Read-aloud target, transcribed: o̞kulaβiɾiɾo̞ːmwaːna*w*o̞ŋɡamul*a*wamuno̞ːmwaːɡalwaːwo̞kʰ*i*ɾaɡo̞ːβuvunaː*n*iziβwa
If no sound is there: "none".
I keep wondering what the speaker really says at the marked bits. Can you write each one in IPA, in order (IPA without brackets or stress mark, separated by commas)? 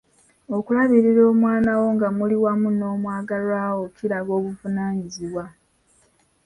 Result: w, i, i, ɲ